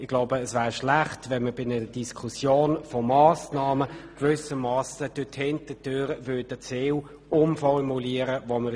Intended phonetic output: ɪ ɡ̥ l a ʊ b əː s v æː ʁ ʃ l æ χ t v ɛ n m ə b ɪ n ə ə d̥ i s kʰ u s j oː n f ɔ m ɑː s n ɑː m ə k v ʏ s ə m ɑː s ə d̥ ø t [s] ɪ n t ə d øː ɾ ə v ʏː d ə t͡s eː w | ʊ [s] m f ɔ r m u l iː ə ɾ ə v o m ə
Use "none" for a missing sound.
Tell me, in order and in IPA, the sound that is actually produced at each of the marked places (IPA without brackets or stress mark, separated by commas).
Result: h, none